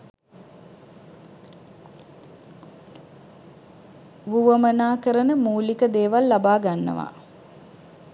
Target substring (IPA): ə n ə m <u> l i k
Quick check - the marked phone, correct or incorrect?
incorrect